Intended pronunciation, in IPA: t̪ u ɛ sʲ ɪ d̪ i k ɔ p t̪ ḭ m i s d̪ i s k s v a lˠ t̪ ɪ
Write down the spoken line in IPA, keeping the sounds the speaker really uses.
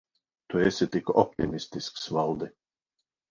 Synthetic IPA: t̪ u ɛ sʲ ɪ t̪ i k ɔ p t̪ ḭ m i s t̪ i s k s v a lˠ d̪ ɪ

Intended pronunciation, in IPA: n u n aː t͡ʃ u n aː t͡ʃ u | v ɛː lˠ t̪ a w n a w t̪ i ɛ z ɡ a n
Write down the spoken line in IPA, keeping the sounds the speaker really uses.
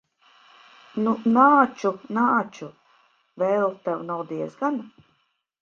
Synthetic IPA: n u n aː t͡ʃ u n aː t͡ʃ u | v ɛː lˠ t̪ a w n a w d̪ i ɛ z ɡ a n

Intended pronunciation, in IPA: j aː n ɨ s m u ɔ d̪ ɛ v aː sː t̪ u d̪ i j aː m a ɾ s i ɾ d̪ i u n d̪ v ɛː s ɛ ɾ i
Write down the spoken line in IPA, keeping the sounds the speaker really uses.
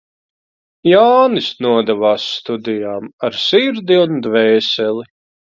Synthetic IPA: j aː n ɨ s n u ɔ d̪ ɛ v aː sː t̪ u d̪ i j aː m a ɾ s i ɾ d̪ i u n d̪ v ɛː s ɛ l i

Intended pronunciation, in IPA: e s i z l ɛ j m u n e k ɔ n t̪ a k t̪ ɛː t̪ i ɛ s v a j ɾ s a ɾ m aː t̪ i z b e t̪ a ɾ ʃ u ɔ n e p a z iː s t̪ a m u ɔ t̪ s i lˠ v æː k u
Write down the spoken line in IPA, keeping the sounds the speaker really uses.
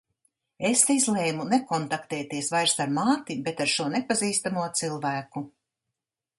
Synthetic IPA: e s i z l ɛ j m u n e k ɔ n t̪ a k t̪ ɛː t̪ i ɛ s v a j ɾ s a ɾ m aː t̪ i b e t̪ a ɾ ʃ u ɔ n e p a z iː s t̪ a m u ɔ t̪ s i lˠ v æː k u

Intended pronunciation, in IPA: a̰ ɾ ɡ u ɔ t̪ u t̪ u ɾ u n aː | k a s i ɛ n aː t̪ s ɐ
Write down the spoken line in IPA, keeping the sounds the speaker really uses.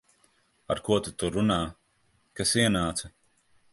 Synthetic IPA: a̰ ɾ k u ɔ t̪ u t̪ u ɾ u n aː | k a s i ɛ n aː t̪ s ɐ

